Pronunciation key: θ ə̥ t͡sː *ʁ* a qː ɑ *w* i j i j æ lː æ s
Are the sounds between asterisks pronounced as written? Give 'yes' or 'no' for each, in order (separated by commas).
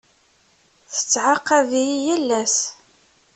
no, no